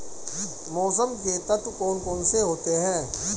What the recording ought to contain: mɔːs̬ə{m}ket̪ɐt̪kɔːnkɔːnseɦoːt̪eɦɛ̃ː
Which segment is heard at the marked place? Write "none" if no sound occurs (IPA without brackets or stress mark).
m